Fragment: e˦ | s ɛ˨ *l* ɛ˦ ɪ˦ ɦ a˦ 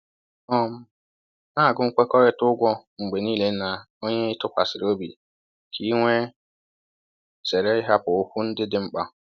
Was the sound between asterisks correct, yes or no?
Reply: no